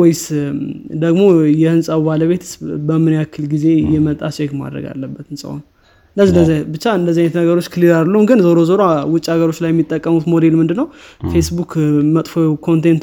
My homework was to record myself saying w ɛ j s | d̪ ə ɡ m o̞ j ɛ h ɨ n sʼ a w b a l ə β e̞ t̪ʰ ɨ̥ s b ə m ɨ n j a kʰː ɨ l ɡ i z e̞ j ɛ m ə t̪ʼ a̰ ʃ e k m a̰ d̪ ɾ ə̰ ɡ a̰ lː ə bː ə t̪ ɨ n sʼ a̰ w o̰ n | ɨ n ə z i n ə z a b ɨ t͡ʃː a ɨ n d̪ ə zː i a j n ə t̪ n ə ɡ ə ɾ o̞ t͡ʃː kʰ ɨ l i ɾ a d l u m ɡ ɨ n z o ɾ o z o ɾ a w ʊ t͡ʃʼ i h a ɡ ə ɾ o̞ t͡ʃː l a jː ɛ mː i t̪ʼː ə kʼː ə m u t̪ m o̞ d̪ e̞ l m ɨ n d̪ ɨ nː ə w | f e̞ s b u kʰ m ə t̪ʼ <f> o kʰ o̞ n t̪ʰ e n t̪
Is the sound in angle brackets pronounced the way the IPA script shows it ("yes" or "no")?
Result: yes